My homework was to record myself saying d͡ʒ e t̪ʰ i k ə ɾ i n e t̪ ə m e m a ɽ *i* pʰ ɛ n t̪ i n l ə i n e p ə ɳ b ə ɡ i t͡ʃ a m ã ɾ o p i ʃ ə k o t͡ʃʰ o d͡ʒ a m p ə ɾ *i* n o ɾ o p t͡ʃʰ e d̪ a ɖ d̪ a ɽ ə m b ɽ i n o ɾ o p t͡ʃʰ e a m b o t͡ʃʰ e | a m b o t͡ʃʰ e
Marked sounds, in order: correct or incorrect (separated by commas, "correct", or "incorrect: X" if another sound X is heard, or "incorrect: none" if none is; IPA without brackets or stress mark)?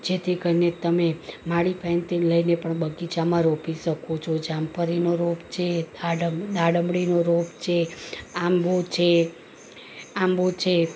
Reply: correct, correct